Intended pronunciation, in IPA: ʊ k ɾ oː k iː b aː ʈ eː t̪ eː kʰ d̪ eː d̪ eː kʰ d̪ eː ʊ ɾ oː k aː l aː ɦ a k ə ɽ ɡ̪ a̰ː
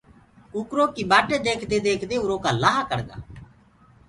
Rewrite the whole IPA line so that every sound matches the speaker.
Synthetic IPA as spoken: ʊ k ɾ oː k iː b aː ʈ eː d̪ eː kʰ d̪ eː d̪ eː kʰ d̪ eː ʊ ɾ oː k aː l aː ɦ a k ə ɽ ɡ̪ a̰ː